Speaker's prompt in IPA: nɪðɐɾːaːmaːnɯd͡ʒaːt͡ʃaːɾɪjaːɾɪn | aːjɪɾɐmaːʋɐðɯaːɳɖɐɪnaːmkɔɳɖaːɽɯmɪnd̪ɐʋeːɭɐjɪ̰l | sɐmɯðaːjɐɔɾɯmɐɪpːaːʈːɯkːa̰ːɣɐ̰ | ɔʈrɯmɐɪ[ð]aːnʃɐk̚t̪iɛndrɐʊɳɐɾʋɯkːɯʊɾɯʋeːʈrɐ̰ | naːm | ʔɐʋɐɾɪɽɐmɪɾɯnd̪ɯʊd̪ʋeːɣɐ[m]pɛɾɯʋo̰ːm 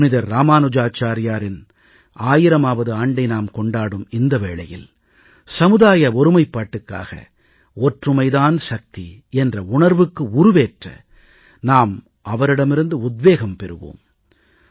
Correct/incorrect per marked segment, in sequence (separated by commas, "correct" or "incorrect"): correct, correct